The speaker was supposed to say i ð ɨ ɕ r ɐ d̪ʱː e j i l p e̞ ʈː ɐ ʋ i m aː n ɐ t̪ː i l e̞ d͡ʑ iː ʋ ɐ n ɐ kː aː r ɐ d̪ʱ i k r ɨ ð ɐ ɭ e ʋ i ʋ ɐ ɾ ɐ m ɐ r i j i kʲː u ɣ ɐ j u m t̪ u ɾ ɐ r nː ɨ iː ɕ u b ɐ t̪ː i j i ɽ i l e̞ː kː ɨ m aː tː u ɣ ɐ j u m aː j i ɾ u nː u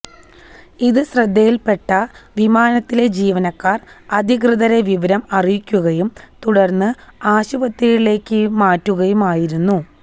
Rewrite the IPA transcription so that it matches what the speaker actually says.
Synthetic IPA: i ð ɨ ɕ r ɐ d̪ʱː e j i l p e̞ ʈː ɐ ʋ i m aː n ɐ t̪ː i l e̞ d͡ʑ iː ʋ ɐ n ɐ kː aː r ɐ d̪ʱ i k r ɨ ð ɐ ɾ e ʋ i ʋ ɐ ɾ ɐ m ɐ r i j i kʲː u ɣ ɐ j u m t̪ u ɽ ɐ r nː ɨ aː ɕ u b ɐ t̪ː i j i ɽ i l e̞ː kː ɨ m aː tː u ɣ ɐ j u m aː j i ɾ u nː u